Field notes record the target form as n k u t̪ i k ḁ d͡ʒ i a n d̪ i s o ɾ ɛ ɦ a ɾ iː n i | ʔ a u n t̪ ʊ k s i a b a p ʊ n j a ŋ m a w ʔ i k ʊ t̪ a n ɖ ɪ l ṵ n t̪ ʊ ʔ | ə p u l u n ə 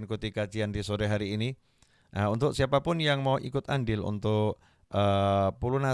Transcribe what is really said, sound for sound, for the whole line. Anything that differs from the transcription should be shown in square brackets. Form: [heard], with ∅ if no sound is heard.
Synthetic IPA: n k u t̪ i k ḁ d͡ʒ i a n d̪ i s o ɾ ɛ ɦ a ɾ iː n i | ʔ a u n t̪ ʊ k s i a [p] a p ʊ n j a ŋ m a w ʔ i k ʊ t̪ a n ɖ ɪ l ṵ n t̪ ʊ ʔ | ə p u l u n [a]